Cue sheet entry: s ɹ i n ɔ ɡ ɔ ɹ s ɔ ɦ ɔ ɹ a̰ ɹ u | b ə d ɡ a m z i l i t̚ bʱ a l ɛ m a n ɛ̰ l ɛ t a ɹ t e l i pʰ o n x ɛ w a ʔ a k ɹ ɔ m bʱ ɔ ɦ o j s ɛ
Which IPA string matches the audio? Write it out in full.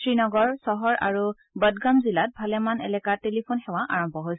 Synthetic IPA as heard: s ɹ i n ɔ ɡ ɔ ɹ s ɔ ɦ ɔ ɹ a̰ ɹ u | b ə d ɡ a m z i l a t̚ bʱ a l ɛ m a n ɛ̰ l ɛ k a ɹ t e l i pʰ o n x ɛ w a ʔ a ɹ ɔ m bʱ ɔ ɦ o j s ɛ